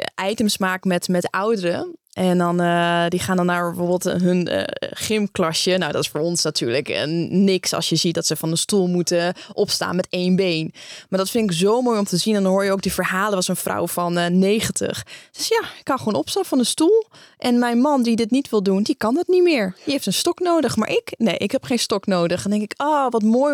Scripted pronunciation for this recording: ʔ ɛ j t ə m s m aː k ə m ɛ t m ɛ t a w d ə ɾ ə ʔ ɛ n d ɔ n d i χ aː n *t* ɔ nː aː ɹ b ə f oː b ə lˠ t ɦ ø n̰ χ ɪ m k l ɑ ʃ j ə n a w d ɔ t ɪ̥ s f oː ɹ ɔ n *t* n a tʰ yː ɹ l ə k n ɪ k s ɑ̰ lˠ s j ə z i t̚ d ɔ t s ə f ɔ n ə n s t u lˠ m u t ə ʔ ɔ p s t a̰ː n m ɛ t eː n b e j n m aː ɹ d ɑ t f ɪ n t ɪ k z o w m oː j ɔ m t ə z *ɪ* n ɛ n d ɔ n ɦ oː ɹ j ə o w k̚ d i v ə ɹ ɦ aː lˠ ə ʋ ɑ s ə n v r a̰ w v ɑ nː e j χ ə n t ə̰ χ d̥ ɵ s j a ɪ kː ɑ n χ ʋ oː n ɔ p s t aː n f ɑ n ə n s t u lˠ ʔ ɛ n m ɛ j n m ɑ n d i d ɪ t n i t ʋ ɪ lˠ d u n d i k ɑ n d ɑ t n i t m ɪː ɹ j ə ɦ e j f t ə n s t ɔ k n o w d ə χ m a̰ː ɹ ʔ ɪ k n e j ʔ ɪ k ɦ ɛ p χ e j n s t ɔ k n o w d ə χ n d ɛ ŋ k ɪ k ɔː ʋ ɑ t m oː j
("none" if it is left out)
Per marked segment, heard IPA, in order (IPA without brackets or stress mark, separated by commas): d, s, i